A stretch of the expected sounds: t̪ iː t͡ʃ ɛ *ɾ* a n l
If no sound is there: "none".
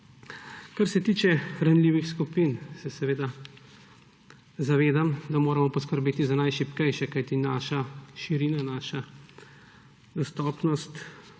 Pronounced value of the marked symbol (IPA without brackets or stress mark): ɾ